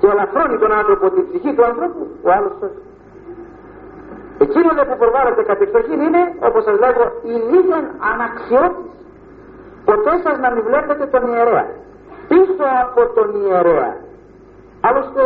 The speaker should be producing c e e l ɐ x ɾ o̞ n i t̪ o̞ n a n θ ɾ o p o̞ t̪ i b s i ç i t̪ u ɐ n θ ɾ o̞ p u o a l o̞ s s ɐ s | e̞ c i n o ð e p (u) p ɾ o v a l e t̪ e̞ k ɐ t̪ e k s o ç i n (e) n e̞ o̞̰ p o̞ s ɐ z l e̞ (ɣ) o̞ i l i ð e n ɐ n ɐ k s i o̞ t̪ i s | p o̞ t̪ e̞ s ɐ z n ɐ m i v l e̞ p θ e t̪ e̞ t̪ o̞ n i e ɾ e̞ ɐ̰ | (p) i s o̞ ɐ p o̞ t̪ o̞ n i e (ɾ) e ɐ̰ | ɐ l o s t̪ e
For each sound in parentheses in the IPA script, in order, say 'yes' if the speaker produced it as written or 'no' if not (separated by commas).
yes, no, yes, yes, yes